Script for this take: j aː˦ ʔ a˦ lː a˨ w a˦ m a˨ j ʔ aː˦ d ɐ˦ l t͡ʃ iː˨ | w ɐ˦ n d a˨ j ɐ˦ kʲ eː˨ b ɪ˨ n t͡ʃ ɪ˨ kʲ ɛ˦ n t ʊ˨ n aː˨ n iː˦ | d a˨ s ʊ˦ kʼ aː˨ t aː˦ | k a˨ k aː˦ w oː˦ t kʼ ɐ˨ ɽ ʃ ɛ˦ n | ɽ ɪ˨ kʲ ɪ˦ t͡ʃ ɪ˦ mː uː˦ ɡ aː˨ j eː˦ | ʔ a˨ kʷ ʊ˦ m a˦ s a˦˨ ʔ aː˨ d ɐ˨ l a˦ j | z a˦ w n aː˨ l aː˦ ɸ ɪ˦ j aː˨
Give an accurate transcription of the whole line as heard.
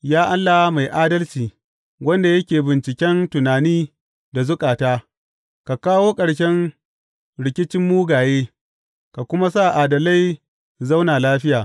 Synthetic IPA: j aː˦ ʔ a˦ lː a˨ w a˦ m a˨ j ʔ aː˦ d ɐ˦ l t͡ʃ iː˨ | w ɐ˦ n d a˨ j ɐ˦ kʲ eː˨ b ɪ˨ n t͡ʃ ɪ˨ kʲ ɛ˦ n t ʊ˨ n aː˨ n iː˦ | d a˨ z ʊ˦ kʼ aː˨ t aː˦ | k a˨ k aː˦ w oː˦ kʼ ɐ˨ ɽ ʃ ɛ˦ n | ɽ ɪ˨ kʲ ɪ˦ t͡ʃ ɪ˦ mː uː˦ ɡ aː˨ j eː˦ | k a˨ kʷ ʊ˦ m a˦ s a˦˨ ʔ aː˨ d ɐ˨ l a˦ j | z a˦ w n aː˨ l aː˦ ɸ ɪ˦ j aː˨